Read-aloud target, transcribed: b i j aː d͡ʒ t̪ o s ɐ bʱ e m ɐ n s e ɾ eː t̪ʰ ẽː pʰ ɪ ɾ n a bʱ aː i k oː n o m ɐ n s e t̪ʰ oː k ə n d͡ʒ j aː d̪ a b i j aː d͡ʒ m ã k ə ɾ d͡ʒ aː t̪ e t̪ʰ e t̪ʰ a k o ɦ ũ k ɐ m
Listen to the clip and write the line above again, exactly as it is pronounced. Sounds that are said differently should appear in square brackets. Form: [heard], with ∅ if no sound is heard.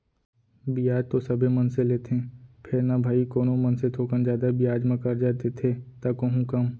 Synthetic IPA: b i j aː d͡ʒ t̪ o s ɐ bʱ e m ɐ n s e [l] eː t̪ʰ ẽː pʰ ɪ ɾ n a bʱ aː i k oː n o m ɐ n s e t̪ʰ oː k ə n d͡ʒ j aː d̪ a b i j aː d͡ʒ m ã k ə ɾ d͡ʒ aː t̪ e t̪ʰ e [t̪] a k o ɦ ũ k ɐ m